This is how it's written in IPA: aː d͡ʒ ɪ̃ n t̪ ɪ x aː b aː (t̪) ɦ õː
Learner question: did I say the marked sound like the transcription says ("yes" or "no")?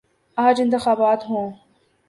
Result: yes